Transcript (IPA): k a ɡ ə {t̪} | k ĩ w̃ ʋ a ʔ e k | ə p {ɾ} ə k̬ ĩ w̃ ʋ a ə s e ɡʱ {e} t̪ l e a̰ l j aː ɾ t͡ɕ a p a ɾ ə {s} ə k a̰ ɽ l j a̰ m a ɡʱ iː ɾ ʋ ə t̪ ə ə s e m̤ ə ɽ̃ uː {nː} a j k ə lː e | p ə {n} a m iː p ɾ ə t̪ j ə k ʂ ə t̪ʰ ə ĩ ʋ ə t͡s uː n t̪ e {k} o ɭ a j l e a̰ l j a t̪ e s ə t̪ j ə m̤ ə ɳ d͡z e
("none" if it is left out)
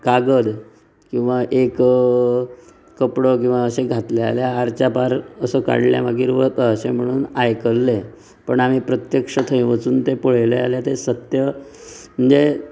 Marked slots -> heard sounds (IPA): d̪, ɽ, a, s, n, ɳ, p

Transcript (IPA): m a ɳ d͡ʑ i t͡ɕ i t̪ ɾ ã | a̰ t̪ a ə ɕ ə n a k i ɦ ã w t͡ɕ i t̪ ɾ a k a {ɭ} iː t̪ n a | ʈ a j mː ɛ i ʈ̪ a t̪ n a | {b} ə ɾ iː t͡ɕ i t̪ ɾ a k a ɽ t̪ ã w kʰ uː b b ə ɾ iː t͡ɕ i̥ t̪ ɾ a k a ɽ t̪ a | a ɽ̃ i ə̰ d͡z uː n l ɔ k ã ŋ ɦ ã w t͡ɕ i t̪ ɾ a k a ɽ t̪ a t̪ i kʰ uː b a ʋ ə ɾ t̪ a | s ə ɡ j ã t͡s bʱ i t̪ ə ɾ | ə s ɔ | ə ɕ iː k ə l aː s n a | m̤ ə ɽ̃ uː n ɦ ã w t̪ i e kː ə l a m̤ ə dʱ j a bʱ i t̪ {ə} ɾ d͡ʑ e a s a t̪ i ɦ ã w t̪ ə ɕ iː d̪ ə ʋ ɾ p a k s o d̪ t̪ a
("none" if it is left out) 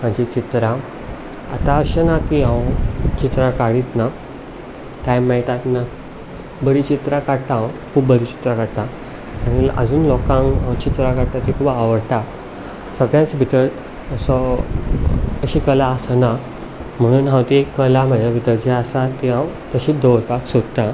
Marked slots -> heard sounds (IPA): ɽ, b, ə

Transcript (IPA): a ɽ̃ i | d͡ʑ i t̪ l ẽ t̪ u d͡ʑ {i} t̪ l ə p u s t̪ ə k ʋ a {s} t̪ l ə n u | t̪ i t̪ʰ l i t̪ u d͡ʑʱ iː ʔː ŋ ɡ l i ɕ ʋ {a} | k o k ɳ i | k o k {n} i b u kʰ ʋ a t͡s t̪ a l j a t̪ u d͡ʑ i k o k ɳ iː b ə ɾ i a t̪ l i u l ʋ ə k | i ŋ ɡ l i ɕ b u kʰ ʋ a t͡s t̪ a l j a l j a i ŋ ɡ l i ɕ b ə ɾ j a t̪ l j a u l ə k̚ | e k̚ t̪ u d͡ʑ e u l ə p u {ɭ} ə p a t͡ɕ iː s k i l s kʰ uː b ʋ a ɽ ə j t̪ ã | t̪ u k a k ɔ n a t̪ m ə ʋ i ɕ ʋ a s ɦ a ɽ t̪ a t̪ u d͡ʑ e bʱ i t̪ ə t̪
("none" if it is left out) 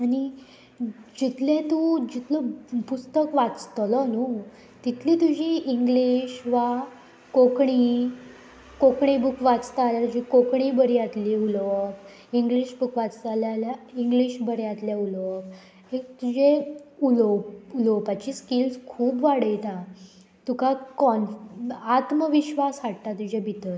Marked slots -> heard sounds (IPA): i, t͡s, a, ɳ, l

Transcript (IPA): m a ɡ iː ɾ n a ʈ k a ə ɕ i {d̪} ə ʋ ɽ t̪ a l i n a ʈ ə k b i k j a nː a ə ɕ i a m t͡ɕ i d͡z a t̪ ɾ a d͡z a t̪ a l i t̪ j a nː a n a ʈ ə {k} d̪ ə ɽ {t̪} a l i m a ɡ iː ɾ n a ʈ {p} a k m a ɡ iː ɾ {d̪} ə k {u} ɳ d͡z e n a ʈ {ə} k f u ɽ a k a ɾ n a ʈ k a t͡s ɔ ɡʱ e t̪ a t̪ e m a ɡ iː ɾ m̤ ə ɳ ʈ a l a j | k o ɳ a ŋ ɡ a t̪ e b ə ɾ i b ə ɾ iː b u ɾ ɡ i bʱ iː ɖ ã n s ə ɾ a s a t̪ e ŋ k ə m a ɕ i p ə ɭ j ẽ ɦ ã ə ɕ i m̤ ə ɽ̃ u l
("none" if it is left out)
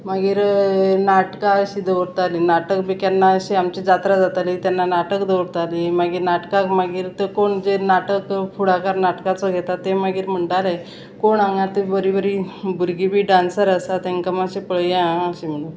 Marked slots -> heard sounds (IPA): d̪, k, t̪, k, t̪, o, ə

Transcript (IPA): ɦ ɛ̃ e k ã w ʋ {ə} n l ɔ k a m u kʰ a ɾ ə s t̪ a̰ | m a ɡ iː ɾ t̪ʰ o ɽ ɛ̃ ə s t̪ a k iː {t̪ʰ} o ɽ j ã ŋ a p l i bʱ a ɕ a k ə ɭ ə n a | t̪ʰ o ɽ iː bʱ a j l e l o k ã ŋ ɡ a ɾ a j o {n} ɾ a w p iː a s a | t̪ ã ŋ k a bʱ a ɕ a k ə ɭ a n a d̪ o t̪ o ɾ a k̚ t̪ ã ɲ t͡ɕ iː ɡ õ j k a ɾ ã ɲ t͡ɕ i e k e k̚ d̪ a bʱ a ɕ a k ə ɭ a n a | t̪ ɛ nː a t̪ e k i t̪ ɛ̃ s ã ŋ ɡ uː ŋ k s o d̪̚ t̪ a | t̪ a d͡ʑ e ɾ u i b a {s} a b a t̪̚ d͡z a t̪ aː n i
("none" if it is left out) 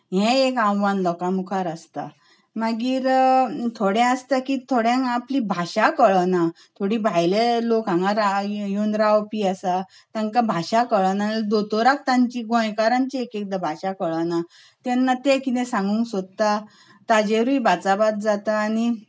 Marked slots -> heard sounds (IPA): a, t̪ʰ, n, t͡s

